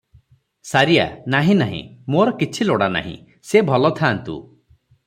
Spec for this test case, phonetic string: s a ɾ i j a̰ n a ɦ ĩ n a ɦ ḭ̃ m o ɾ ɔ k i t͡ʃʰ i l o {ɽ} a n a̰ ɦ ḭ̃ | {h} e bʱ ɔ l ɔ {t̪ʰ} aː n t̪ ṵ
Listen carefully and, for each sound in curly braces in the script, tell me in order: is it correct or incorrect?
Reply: correct, incorrect: s, correct

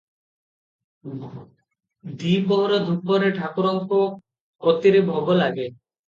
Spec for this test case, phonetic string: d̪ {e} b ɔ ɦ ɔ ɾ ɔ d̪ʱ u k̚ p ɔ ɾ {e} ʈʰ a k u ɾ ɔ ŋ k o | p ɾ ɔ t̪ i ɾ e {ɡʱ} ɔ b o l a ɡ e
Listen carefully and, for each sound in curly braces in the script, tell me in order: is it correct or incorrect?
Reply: incorrect: i, correct, incorrect: bʱ

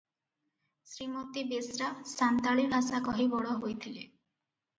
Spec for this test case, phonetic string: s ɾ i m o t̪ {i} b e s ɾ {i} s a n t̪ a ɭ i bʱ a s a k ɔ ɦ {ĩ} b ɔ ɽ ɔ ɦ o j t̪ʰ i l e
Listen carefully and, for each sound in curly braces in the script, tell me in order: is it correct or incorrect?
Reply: correct, incorrect: a, incorrect: i

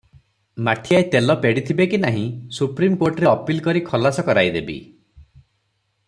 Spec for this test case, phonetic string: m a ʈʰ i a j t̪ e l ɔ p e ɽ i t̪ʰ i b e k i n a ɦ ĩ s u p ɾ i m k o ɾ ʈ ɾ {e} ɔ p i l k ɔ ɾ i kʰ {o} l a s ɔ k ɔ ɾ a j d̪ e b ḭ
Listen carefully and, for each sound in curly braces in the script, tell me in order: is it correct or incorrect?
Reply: correct, incorrect: ɔ

